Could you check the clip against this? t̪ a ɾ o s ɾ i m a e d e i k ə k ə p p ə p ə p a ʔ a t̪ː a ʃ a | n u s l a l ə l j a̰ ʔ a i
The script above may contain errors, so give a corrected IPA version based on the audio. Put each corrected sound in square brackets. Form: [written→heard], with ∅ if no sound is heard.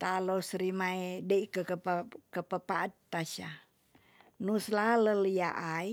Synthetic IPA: t̪ a [ɾ→l] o s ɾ i m a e d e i k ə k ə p [p→k] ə p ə p a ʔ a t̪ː a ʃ a | n u s l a l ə l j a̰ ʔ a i